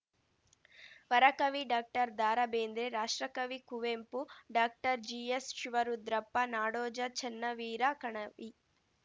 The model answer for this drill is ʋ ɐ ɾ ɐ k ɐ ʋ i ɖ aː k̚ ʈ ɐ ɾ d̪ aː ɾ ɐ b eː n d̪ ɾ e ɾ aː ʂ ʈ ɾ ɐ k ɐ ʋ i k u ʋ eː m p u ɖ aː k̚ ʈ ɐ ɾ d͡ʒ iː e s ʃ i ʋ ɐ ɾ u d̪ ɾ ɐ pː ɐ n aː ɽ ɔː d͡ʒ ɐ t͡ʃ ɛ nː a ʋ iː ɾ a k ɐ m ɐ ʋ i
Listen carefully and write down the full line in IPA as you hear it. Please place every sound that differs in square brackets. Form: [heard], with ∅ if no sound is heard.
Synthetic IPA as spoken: ʋ ɐ ɾ ɐ k ɐ ʋ i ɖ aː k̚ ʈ ɐ ɾ d̪ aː ɾ ɐ b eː n d̪ ɾ e ɾ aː ʂ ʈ ɾ ɐ k ɐ ʋ i k u ʋ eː m p u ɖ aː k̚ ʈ ɐ ɾ d͡ʒ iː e s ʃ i ʋ ɐ ɾ u d̪ ɾ ɐ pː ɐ n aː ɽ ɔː d͡ʒ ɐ t͡ʃ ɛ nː [ɐ] ʋ iː ɾ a k ɐ [ɳ] ɐ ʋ i